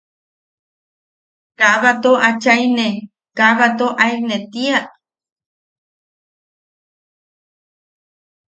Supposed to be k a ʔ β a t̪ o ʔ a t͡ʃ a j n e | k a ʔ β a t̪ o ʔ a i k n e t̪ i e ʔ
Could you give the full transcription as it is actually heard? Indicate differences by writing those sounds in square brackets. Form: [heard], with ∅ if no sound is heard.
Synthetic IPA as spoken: k a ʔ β a t̪ o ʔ a t͡ʃ a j n e | k a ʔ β a t̪ o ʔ a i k n e t̪ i [a] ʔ